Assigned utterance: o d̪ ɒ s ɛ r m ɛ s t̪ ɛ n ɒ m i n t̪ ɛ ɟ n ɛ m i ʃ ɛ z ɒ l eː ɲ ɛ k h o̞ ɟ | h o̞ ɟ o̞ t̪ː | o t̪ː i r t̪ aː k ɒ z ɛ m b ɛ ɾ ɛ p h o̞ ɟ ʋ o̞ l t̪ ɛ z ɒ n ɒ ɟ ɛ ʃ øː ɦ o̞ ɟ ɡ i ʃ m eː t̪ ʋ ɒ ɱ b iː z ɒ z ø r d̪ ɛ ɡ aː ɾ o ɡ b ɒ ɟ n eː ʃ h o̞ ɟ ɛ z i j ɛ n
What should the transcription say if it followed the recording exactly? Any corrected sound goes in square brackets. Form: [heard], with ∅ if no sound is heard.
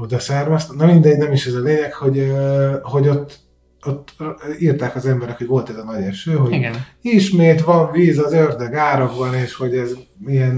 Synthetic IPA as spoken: o d̪ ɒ s ɛ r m ɛ s t̪ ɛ n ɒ m i n [d̪] ɛ ɟ n ɛ m i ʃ ɛ z ɒ l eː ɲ ɛ k h o̞ ɟ | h o̞ ɟ o̞ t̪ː | o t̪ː i r t̪ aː k ɒ z ɛ m b ɛ ɾ ɛ [k] h o̞ ɟ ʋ o̞ l t̪ ɛ z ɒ n ɒ ɟ ɛ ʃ øː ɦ o̞ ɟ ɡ i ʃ m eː t̪ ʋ ɒ ɱ [v] iː z ɒ z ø r d̪ ɛ ɡ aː ɾ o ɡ b ɒ [∅] n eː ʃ h o̞ ɟ ɛ z i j ɛ n